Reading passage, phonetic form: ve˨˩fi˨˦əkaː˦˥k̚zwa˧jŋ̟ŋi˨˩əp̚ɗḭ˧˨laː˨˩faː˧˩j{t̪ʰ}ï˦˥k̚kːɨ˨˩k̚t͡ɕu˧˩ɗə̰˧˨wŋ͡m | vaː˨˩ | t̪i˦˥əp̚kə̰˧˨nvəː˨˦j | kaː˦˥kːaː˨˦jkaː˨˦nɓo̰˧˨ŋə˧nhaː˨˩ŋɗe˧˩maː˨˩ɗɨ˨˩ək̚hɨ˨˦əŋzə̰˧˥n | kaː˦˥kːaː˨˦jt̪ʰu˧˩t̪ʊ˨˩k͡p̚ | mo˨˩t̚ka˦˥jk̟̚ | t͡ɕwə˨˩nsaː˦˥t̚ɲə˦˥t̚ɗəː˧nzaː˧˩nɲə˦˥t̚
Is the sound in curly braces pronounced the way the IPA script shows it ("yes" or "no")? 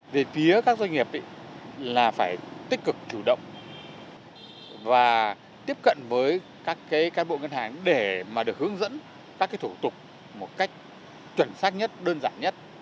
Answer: no